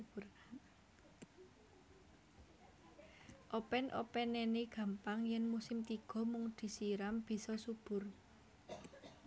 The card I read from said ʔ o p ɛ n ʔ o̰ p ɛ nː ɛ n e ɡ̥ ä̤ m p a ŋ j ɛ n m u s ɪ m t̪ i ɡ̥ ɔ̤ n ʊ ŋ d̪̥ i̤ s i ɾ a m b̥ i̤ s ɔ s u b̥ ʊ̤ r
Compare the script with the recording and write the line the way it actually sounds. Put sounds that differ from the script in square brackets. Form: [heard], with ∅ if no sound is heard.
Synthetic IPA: ʔ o p ɛ n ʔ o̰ p ɛ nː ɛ n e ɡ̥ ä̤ m p a ŋ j ɛ n m u s ɪ m t̪ i ɡ̥ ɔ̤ [m] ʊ ŋ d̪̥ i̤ s i ɾ a m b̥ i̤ s ɔ s u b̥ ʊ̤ r